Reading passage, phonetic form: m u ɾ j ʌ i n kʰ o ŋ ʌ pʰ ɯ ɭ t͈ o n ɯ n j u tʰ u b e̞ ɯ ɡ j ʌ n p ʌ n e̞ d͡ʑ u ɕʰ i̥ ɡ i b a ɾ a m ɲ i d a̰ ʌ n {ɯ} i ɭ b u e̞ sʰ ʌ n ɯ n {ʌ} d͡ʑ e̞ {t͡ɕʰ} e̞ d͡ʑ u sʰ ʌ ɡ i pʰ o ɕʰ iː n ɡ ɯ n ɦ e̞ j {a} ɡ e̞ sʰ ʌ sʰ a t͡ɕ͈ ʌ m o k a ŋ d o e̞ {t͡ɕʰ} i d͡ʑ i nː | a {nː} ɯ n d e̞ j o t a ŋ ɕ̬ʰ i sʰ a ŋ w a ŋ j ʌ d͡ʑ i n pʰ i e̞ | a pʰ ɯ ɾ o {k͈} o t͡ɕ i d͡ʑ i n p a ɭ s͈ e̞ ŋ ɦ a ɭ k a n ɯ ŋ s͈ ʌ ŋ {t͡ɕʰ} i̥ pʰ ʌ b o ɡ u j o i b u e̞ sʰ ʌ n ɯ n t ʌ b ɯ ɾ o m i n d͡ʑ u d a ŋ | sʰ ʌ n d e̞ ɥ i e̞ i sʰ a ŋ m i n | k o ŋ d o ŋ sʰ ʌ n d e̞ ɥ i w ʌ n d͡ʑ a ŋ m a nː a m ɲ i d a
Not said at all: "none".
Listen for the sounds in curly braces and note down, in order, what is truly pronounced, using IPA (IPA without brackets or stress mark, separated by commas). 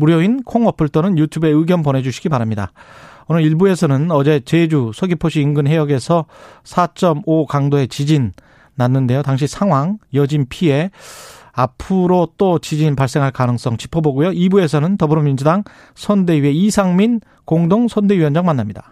ɯ, ʌ, t͡ɕ, ʌ, t͡ɕ, nː, t͈, t͡ɕ